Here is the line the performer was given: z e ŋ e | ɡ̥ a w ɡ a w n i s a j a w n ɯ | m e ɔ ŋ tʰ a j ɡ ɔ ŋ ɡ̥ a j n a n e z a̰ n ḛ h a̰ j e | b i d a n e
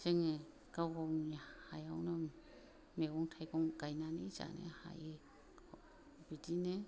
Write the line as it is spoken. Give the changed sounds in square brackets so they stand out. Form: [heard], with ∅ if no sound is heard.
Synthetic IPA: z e ŋ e | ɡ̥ a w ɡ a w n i [h] a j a w n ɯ | m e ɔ ŋ tʰ a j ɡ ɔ ŋ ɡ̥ a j n a n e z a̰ n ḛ h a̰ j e | b i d [i] n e